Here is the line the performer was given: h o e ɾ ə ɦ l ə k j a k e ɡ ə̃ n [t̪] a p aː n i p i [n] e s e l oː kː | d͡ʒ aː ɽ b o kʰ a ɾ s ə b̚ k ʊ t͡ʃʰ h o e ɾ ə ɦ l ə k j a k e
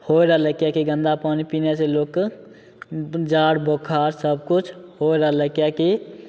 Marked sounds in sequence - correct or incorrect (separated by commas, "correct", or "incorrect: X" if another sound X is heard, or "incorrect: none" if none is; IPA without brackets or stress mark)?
incorrect: d̪, correct